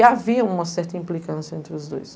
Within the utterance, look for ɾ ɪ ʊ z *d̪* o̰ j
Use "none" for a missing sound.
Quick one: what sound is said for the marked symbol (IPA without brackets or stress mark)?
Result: d̪